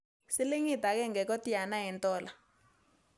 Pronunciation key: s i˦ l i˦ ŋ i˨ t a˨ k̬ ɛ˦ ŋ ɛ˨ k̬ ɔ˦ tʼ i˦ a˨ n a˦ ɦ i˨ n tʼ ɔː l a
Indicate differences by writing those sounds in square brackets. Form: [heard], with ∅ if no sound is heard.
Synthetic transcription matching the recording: s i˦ l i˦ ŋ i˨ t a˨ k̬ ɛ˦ ŋ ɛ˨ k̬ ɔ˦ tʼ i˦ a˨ n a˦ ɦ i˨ n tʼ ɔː l a

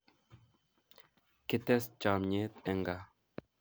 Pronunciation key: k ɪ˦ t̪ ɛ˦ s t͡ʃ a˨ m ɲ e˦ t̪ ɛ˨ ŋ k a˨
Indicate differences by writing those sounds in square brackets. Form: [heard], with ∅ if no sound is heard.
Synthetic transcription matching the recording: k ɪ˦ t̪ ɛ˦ s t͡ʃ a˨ m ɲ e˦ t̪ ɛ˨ ŋ [ɡ] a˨

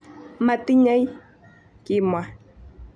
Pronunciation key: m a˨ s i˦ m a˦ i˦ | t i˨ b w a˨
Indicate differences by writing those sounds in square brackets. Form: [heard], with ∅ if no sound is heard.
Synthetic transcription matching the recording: m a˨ [t] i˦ [ɲ] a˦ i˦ | [k] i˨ [m] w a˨

